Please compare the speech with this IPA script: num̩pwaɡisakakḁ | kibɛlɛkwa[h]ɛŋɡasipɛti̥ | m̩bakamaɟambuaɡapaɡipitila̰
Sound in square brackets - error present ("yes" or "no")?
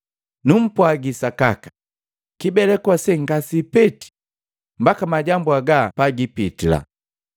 yes